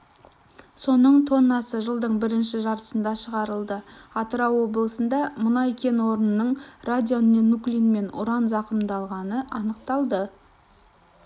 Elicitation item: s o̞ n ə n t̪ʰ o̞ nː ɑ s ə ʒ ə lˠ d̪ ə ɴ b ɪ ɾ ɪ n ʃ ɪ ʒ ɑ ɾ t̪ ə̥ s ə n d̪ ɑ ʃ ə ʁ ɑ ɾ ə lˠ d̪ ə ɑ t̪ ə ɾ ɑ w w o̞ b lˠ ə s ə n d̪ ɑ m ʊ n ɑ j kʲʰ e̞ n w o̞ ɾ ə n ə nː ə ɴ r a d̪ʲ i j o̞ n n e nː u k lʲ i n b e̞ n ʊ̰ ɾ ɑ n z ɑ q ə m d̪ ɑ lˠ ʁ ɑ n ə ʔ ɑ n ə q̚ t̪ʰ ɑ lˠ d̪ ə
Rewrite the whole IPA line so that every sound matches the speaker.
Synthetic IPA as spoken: s o̞ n ə ɴ t̪ʰ o̞ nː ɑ s ə ʒ ə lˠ d̪ ə ɴ b ɪ ɾ ɪ n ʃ ɪ ʒ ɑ ɾ t̪ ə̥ s ə n d̪ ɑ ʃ ə ʁ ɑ ɾ ə lˠ d̪ ə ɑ t̪ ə ɾ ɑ w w o̞ b lˠ ə s ə n d̪ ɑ m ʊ n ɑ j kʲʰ e̞ n w o̞ ɾ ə n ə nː ə ɴ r a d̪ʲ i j o̞ n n e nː u k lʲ i n m e̞ n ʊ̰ ɾ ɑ n z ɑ q ə m d̪ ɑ lˠ ʁ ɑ n ə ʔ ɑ n ə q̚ t̪ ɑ lˠ d̪ ə